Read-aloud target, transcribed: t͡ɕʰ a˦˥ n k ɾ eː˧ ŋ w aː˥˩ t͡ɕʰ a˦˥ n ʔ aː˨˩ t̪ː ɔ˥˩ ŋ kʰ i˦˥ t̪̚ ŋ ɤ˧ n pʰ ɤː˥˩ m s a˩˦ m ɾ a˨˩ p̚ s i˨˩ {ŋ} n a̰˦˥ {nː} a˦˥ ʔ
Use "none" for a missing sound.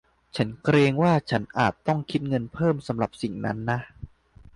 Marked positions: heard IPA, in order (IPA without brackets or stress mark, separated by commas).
ŋ, nː